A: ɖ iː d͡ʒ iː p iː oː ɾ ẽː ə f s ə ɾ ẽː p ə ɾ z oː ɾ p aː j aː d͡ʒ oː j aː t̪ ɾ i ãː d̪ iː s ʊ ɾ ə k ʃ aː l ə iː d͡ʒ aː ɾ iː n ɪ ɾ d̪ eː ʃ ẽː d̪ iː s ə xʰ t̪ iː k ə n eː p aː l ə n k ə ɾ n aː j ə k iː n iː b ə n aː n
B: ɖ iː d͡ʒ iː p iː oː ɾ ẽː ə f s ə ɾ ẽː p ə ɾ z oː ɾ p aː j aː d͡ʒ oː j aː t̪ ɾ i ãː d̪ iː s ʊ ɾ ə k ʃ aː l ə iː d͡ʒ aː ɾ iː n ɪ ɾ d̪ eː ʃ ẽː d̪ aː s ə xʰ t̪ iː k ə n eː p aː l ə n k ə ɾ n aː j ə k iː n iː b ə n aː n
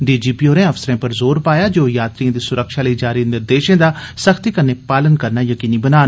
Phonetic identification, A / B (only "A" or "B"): B